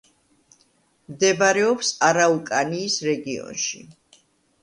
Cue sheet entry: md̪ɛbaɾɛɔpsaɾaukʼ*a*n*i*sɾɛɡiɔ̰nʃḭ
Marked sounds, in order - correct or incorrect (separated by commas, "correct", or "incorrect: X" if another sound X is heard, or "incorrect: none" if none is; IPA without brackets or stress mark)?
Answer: correct, incorrect: iː